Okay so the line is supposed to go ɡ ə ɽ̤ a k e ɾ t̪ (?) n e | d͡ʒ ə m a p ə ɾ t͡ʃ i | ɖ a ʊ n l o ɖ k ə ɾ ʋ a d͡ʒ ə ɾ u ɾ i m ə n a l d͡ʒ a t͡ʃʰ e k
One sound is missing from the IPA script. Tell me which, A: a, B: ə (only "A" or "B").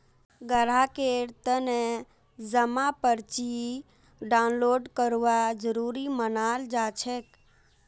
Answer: B